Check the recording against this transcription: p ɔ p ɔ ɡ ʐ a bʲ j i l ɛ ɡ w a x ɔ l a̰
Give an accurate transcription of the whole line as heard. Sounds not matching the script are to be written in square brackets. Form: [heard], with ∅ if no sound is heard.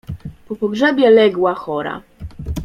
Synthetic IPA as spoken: p ɔ p ɔ ɡ ʐ [ɛ] bʲ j [ɛ] l ɛ ɡ w a x ɔ [ɾ] a̰